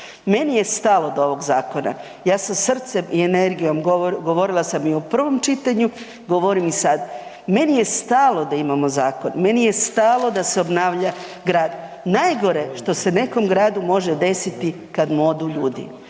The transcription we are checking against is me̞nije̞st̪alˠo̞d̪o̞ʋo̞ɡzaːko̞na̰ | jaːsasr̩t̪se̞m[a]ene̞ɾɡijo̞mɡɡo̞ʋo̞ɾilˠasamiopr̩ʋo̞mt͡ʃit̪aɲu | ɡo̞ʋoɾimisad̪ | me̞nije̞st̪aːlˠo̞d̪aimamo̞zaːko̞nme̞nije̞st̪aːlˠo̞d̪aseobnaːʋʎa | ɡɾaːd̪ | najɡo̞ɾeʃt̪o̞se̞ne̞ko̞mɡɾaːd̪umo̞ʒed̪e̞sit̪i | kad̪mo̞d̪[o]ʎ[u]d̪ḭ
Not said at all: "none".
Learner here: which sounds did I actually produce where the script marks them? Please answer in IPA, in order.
i, u, uː

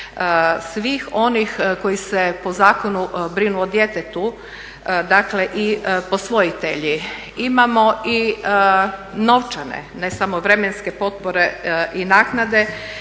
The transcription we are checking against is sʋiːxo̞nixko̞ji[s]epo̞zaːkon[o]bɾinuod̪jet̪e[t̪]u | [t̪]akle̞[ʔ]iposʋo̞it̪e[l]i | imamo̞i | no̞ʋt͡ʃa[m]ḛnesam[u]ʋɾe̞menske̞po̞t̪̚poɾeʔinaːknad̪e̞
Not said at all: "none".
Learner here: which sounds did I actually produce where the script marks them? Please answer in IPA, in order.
s, u, t̪, d̪, ʔ, ʎ, n, o

